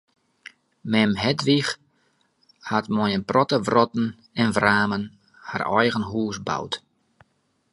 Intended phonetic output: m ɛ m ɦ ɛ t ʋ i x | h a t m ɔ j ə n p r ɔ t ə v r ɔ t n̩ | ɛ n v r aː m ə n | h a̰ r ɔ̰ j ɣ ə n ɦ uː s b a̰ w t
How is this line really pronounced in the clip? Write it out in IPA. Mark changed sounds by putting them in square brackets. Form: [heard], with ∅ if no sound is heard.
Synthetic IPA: m ɛ m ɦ ɛ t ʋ i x | h a t m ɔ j ə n p r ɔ t ə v r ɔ t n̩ | ɛ n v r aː m ə n | h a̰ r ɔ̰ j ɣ ə n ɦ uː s b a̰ w t